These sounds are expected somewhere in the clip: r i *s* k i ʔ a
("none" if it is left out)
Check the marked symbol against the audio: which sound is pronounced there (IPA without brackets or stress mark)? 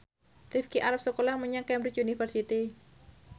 f